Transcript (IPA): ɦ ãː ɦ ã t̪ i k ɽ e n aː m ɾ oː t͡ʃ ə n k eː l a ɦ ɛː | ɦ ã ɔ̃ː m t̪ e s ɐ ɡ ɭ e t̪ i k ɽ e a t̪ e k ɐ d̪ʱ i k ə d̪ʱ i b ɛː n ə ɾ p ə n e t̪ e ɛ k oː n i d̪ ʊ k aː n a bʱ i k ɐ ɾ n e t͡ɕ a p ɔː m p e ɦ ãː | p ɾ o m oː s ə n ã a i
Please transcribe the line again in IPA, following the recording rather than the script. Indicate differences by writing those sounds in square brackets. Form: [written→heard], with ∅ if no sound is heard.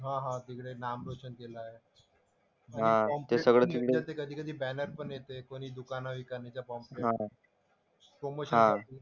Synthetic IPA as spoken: ɦ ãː ɦ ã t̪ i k ɽ e n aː m ɾ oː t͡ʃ ə n k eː l a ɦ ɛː | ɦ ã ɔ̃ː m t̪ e s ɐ ɡ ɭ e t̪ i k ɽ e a t̪ e k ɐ d̪ʱ i k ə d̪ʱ i b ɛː n ə ɾ p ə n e t̪ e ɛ k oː n i d̪ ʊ k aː n a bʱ i k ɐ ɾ n e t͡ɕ a p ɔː m p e ɦ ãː | p ɾ o m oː [s→ʃ] ə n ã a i